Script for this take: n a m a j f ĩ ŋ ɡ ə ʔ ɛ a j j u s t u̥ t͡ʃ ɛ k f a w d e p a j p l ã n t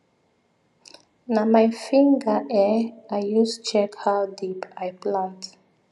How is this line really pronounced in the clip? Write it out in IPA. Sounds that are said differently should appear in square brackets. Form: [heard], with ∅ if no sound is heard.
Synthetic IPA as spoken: n a m a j f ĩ ŋ ɡ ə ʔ ɛ a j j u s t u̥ t͡ʃ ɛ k [h] a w d [i] p a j p l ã n t

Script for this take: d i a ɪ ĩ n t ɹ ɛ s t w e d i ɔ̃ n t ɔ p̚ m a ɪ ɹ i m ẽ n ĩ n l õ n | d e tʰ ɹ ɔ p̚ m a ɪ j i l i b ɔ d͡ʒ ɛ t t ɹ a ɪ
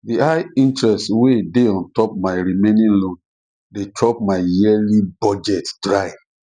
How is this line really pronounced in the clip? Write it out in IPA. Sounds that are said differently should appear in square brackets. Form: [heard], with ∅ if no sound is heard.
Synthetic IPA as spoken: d i a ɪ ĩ n t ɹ ɛ s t w e d [e] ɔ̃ n t ɔ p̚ m a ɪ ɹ i m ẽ n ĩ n l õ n | d e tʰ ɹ ɔ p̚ m a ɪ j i l i b ɔ d͡ʒ ɛ t [d] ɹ a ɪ

